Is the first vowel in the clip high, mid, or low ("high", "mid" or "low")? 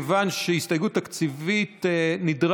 low